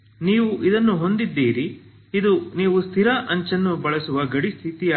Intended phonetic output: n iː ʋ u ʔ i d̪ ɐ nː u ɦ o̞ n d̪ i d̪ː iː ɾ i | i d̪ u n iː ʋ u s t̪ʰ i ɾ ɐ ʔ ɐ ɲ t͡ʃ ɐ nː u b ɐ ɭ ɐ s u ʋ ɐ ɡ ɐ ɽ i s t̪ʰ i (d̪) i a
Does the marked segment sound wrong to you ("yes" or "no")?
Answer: yes